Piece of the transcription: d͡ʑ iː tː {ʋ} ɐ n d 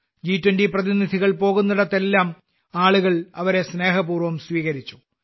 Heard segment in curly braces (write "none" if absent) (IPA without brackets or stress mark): w